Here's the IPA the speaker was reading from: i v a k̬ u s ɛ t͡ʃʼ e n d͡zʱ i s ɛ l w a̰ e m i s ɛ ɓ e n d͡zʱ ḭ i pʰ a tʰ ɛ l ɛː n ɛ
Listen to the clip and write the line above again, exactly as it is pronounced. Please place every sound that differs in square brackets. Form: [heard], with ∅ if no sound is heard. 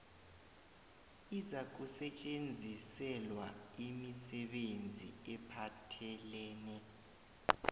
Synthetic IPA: i [z] a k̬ u s ɛ t͡ʃʼ e n d͡zʱ i s ɛ l w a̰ [i] m i s ɛ ɓ e n d͡zʱ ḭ [ɛ] pʰ a tʰ ɛ l ɛː n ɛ

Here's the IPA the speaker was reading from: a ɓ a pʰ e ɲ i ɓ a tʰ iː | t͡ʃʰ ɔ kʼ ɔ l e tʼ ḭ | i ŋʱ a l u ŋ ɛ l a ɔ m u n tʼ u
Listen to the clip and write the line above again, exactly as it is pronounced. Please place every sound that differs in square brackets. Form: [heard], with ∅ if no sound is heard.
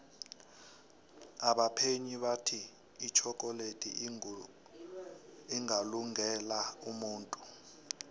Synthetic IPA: a ɓ a pʰ e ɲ i ɓ a tʰ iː | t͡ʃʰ ɔ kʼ ɔ l e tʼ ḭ | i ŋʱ a l u ŋ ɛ l a [u] m [uː] n tʼ u

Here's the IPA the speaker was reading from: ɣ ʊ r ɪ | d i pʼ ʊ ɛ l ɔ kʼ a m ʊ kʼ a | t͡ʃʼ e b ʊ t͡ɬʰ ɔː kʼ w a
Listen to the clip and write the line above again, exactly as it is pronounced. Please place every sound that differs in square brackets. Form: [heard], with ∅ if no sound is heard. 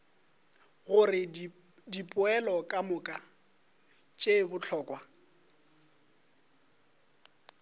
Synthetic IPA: ɣ ʊ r ɪ | d i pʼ ʊ ɛ l ɔ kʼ a m ʊ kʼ a | t͡ʃʼ e b ʊ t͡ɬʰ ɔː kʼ w a

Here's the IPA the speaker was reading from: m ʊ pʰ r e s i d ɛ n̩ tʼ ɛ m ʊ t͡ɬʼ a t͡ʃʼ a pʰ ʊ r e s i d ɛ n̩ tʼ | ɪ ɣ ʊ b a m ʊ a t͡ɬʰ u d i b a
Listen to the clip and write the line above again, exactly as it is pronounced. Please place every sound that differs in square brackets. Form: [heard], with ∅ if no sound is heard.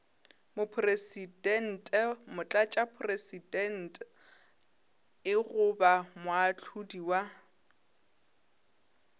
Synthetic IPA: m ʊ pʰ r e s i d ɛ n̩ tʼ ɛ m ʊ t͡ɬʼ a t͡ʃʼ a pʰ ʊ r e s i d ɛ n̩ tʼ | ɪ ɣ ʊ b a m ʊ a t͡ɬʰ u d i [w] a

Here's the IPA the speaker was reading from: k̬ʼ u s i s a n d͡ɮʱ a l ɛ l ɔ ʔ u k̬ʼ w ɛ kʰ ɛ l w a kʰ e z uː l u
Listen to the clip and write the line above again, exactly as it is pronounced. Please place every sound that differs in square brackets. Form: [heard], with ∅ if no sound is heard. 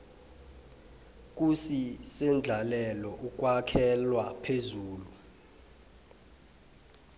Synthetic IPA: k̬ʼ u s i s [ɛ] n d͡ɮʱ a l ɛ l ɔ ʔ u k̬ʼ w [a] kʰ ɛ l w a [pʰ] e z uː l u

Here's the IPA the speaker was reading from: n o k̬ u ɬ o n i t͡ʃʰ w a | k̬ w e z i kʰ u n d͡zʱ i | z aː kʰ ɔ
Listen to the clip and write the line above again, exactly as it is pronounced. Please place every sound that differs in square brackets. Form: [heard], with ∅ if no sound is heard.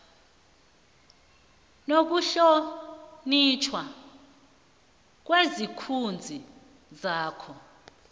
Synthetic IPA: n o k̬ u ɬ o n i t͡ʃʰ w a | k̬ w e z i kʰ u n d͡zʱ i | z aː kʰ ɔ

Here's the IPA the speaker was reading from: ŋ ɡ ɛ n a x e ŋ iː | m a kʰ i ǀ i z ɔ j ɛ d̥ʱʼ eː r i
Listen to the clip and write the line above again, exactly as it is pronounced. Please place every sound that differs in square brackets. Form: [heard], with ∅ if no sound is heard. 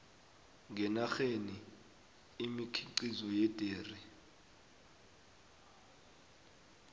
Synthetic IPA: ŋ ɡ ɛ n a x e [n] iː | m [i] kʰ i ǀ i z ɔ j ɛ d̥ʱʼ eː r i

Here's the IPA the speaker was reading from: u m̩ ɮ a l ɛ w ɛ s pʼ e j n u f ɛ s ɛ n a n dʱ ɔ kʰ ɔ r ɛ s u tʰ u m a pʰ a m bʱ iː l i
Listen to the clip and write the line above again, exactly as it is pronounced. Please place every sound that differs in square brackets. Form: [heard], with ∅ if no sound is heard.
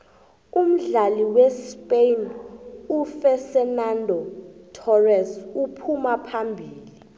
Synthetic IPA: u m̩ ɮ a l [i] w ɛ s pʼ e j n u f ɛ s ɛ n a n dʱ ɔ [tʰ] ɔ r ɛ s u [pʰ] u m a pʰ a m bʱ iː l i

